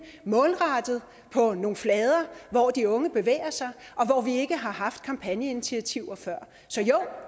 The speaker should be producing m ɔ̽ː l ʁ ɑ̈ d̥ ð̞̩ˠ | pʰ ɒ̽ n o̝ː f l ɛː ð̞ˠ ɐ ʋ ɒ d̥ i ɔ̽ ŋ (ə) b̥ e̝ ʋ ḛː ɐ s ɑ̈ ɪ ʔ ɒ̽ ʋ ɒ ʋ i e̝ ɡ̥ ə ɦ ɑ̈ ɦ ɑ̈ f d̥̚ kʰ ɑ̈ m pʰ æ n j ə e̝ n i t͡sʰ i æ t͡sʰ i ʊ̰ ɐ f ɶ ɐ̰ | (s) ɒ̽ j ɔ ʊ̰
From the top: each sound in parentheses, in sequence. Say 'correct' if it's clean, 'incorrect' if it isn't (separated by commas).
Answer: correct, correct